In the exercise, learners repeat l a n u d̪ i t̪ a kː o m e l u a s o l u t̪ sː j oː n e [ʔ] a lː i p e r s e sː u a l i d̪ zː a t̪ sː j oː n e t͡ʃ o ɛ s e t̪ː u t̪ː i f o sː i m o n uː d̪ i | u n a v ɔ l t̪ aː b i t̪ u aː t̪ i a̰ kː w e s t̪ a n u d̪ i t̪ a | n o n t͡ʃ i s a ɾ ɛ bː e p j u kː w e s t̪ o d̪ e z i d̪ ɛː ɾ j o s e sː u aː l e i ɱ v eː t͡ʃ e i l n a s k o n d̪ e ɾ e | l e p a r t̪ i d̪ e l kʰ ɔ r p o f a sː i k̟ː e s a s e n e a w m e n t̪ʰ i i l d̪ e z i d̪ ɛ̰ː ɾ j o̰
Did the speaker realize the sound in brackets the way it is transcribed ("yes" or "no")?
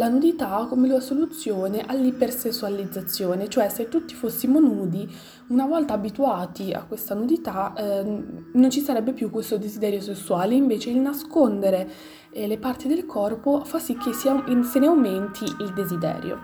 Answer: yes